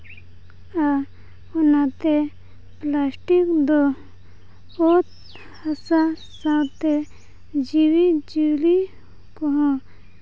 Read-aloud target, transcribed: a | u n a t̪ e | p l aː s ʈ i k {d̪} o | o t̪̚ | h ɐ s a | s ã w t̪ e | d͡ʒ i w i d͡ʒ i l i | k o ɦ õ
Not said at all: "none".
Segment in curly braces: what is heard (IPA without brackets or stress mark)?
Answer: d̪